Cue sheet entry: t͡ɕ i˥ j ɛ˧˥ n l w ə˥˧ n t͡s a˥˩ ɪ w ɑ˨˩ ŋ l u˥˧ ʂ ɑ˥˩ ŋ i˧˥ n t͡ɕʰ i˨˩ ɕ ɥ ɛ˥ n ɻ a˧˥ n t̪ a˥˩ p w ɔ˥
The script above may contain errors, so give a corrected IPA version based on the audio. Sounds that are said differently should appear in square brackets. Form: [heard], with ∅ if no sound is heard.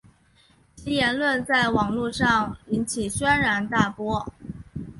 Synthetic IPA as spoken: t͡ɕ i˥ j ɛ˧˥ n l w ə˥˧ n t͡s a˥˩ ɪ w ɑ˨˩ ŋ l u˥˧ ʂ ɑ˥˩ ŋ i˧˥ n t͡ɕʰ i˨˩ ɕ ɥ ɛ˥ n ɻ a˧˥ n t̪ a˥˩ p w ɔ˥

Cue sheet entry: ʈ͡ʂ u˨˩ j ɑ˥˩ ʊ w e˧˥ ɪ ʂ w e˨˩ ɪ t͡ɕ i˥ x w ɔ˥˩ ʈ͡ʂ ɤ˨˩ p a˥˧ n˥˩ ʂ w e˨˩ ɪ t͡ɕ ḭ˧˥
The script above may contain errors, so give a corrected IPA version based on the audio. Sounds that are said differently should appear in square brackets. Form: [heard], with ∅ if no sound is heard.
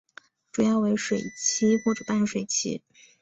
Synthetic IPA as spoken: ʈ͡ʂ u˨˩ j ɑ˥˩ ʊ w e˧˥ ɪ ʂ w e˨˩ ɪ [t͡ɕʰ] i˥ x w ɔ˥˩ ʈ͡ʂ ɤ˨˩ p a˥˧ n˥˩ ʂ w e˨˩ ɪ [t͡ɕʰ] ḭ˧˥

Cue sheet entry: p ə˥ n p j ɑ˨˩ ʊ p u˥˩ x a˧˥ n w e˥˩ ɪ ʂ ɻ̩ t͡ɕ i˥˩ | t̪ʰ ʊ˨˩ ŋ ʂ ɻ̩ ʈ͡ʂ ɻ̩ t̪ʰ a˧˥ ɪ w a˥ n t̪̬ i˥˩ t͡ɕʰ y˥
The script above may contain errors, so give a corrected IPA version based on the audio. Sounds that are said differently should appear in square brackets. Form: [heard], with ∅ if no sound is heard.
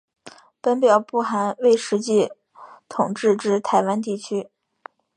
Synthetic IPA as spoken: p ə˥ n p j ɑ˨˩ ʊ p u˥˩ x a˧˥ n w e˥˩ ɪ ʂ ɻ̩ t͡ɕ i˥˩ | t̪ʰ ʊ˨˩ ŋ [ʈ͡ʂ] ɻ̩ ʈ͡ʂ ɻ̩ t̪ʰ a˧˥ ɪ w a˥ n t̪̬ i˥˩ t͡ɕʰ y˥

